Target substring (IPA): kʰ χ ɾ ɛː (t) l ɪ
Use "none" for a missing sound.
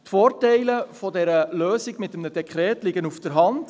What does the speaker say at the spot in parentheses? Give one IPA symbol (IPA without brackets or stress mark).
t